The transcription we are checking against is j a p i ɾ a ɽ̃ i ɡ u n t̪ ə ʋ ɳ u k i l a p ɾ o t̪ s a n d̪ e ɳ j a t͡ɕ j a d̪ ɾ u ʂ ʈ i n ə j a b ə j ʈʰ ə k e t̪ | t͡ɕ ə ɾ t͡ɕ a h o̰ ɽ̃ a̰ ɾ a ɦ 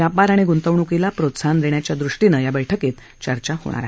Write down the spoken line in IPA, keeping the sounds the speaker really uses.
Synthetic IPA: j a p a ɾ a ɽ̃ i ɡ u n t̪ ə ʋ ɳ u k i l a p ɾ o t̪ s a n d̪ e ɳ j a t͡ɕ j a d̪ ɾ u ʂ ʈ i n ə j a b ə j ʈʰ ə k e t̪ | t͡ɕ ə ɾ t͡ɕ a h o̰ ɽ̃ a̰ ɾ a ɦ